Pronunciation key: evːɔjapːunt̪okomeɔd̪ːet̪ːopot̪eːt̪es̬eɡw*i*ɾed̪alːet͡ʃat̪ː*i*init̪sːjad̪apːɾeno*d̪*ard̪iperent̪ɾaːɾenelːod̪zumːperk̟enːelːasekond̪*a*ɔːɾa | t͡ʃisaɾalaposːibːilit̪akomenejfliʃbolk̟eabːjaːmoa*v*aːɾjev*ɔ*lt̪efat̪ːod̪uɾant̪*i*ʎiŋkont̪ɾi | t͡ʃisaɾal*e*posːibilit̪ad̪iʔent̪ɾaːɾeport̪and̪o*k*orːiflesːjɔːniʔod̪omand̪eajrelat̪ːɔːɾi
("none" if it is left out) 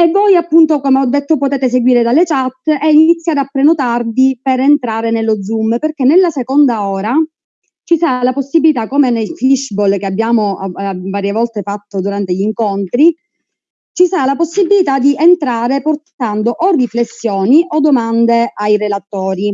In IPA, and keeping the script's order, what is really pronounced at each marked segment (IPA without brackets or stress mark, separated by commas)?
iː, ɛ, t̪, a, v, ɔ, e, a, ʔ